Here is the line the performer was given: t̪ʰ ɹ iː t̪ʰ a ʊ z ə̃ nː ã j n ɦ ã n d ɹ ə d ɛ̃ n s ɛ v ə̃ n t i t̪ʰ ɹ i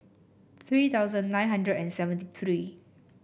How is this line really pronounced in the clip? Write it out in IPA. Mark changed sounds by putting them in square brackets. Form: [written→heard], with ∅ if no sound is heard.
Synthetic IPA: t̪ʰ ɹ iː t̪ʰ a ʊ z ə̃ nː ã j n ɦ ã n d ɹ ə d ɛ̃ n s ɛ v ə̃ n t i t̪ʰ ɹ i